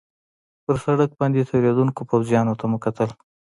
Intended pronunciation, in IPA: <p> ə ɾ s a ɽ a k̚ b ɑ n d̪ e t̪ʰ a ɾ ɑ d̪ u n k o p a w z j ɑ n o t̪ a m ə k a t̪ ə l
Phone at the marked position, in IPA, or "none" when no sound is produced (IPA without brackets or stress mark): p